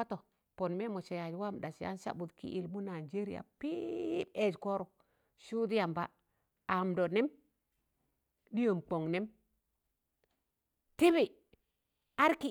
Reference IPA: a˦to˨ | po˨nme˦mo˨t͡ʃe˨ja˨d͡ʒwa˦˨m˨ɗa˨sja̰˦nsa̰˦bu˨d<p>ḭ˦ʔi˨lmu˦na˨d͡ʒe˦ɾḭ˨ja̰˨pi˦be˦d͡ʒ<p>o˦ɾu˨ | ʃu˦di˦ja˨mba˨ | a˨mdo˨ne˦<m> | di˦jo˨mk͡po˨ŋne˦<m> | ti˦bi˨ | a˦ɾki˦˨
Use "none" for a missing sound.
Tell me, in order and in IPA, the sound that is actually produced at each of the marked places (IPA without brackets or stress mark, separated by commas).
k, k, m, m